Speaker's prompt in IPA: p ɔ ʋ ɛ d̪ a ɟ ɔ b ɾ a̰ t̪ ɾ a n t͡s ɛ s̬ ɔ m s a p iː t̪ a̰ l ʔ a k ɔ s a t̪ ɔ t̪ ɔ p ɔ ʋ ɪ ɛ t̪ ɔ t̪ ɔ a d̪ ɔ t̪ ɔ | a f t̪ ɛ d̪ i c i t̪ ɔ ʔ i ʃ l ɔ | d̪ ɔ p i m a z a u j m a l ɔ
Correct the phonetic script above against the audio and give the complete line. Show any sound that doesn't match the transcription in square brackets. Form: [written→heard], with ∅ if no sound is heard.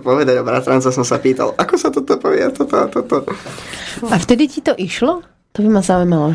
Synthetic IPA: p ɔ ʋ ɛ d̪ a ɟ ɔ b ɾ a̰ t̪ ɾ a n t͡s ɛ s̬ ɔ m s a p iː t̪ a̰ l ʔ a k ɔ s a t̪ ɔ t̪ ɔ p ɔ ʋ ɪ ɛ t̪ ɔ t̪ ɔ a [d̪→t̪] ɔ t̪ ɔ | a f t̪ ɛ d̪ i c i t̪ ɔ ʔ i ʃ l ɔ | [d̪→t̪] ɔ [p→b] i m a z a u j m a l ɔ